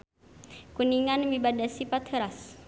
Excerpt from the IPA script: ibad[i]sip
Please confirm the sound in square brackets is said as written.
no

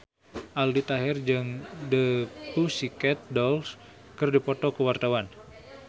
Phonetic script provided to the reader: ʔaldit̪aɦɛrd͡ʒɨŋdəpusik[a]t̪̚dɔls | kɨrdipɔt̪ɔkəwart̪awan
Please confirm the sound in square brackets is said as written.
no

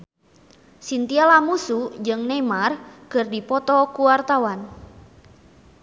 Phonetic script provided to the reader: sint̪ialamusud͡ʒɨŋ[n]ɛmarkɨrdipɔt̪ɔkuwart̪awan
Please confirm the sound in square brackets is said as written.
yes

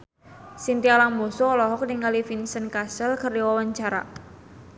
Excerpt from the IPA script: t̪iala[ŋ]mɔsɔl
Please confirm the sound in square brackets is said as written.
yes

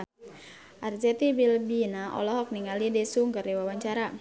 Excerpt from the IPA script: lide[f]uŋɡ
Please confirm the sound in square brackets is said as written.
no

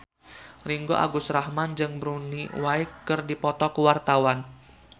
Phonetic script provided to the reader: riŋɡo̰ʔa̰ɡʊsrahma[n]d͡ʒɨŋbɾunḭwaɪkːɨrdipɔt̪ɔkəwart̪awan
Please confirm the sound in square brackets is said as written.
yes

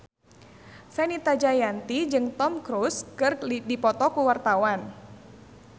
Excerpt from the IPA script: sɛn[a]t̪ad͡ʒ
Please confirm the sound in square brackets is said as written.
no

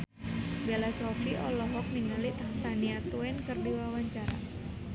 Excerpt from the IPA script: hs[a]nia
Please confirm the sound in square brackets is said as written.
yes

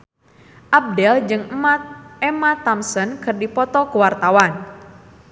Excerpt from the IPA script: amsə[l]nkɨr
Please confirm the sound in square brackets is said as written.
no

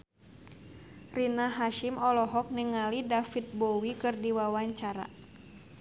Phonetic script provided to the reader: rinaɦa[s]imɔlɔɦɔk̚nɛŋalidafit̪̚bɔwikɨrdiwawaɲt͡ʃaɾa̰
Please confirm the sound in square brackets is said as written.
no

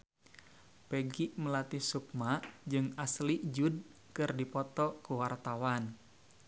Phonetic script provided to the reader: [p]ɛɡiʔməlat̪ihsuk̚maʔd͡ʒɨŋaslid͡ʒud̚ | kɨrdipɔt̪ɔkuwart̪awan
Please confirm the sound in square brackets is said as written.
yes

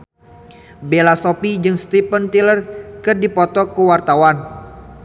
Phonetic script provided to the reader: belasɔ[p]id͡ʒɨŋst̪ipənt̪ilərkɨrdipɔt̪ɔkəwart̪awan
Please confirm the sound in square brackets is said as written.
yes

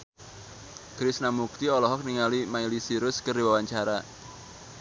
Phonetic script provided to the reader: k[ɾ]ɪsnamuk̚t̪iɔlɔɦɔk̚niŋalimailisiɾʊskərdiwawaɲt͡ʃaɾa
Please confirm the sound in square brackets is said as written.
yes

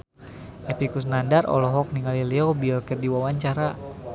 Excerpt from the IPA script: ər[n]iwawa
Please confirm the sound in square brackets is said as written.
no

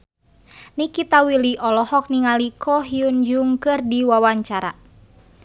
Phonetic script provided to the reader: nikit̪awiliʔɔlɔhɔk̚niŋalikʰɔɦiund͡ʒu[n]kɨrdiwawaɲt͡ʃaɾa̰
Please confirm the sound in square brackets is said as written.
no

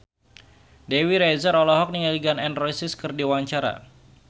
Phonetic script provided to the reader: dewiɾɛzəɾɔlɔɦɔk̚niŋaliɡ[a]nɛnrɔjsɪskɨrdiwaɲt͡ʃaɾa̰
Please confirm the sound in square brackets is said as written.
yes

